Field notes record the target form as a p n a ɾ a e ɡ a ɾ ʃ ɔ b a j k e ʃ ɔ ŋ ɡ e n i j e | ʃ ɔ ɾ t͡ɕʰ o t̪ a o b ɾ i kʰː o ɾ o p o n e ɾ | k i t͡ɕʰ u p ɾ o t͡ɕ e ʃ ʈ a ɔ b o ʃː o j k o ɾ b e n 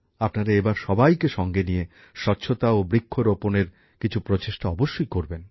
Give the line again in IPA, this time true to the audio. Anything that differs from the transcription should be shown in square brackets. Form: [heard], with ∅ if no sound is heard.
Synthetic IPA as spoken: a p n a ɾ a e [b] a ɾ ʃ ɔ b a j k e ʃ ɔ ŋ ɡ e n i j e | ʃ ɔ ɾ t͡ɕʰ o t̪ a o b ɾ i kʰː o ɾ o p o n e ɾ | k i t͡ɕʰ u p ɾ o t͡ɕ e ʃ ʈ a ɔ b o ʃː o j k o ɾ b e n